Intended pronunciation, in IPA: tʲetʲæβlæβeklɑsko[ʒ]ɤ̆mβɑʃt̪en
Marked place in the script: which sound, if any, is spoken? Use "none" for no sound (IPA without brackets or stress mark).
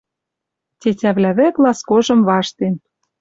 ʒ